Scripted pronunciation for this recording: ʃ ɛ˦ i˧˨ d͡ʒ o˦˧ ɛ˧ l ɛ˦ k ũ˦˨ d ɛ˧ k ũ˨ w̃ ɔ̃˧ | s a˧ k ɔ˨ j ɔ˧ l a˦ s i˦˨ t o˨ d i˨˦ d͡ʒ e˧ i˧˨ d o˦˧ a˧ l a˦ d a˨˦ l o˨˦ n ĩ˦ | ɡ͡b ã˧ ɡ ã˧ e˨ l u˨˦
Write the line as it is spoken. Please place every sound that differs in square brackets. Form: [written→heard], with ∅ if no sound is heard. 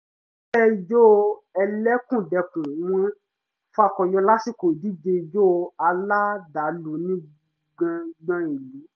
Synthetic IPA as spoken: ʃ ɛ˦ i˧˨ d͡ʒ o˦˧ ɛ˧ l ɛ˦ k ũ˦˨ d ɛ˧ k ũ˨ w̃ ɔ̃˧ | [s→f] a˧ k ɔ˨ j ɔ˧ l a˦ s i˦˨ [t→k] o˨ d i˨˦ d͡ʒ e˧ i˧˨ [d→d͡ʒ] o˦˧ a˧ l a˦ d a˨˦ l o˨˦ n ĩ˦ | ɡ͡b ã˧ [ɡ→ɡ͡b] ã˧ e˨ l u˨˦

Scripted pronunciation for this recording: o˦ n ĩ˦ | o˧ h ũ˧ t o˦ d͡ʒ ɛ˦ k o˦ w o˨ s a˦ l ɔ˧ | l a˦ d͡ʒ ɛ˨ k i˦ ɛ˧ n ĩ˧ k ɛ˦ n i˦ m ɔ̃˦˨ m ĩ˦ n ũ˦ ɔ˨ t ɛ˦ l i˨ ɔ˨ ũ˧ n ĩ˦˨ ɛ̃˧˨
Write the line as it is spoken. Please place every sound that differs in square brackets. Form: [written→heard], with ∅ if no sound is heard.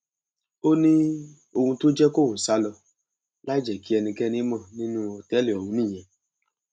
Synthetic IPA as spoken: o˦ n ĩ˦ | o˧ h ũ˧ t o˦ d͡ʒ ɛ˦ k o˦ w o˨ s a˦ l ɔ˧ | l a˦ d͡ʒ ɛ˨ k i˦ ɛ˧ n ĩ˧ k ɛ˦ n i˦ m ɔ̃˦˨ [m→n] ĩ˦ n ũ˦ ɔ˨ t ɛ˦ l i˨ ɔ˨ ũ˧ n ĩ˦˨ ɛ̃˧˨

